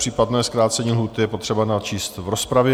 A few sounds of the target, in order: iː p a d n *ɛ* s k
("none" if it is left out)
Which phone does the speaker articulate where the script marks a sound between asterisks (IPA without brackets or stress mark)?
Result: ɛː